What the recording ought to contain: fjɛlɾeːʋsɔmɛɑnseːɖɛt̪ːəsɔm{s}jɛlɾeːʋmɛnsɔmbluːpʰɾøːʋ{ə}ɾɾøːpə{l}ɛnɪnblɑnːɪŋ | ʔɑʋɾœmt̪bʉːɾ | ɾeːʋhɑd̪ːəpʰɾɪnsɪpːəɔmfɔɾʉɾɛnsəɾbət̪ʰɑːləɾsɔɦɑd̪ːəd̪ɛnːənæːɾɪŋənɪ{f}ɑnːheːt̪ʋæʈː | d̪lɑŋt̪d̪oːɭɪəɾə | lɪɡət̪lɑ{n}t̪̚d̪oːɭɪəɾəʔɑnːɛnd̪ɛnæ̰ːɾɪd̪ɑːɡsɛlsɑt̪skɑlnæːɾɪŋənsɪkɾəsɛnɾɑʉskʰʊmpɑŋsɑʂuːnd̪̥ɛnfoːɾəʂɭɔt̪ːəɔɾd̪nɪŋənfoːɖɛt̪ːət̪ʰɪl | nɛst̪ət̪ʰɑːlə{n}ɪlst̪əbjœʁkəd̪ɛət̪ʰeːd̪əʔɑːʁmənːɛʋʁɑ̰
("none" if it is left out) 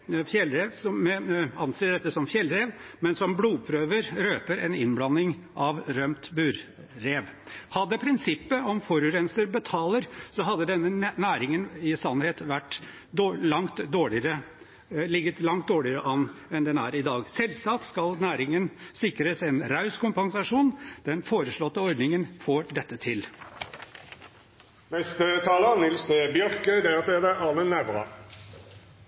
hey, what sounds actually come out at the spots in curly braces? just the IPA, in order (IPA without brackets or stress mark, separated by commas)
f, ə, ɾ, s, ŋ, n